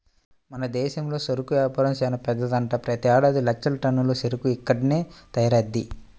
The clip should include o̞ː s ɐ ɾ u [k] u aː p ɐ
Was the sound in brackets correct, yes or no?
yes